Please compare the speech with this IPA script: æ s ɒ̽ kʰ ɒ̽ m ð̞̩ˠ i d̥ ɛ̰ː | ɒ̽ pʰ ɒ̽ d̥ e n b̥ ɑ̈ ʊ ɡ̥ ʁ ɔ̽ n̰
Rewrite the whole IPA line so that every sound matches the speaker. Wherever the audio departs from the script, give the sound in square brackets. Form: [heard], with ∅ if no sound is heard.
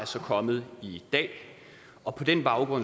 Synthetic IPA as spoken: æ s ɒ̽ kʰ ɒ̽ m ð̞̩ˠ i d̥ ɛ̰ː | ɒ̽ pʰ ɒ̽ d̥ e n b̥ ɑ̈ ʊ ɡ̥ ʁ ɔ̽ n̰